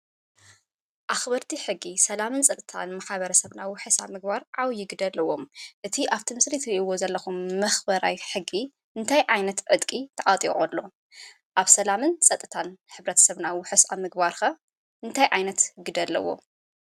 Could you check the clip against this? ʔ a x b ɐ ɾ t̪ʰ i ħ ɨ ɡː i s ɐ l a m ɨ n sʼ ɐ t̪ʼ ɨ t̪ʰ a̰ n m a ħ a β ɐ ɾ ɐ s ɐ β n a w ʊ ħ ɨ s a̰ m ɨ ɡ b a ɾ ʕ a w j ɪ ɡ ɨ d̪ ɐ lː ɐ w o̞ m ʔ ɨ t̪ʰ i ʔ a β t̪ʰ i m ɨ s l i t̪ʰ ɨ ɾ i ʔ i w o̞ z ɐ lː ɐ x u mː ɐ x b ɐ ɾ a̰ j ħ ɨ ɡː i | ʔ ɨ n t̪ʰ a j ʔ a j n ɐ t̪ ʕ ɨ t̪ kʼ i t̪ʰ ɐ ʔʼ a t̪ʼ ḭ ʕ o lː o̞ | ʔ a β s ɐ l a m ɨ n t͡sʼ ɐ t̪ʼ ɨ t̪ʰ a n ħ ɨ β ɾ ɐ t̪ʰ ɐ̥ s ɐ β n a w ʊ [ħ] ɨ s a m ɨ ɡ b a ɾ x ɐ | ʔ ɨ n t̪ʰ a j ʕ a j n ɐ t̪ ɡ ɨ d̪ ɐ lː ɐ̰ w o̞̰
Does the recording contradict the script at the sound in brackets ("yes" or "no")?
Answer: no